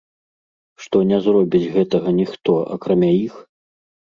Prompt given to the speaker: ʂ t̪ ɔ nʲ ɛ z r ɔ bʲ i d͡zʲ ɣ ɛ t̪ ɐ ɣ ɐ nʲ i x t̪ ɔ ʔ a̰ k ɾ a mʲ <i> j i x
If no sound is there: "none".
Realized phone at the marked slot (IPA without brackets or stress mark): a